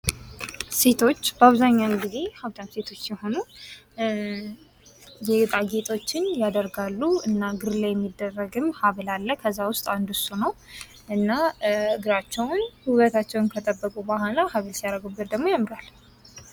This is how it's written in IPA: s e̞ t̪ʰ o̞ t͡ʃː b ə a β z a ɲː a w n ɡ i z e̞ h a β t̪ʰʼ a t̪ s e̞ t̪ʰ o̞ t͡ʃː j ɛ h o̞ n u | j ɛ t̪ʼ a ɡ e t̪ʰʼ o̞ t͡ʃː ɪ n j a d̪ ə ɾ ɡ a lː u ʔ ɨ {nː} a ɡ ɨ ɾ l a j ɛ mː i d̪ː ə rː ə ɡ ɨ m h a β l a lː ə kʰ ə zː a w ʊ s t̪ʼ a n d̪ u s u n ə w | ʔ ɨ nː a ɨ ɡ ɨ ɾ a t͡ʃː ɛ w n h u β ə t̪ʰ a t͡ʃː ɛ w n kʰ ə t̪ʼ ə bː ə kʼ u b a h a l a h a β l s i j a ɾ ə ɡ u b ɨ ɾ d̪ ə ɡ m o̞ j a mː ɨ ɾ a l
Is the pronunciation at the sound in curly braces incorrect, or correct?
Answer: correct